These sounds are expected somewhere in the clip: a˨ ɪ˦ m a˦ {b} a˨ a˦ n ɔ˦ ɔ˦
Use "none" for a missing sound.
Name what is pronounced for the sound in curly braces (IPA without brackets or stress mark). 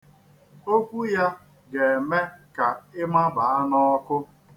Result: b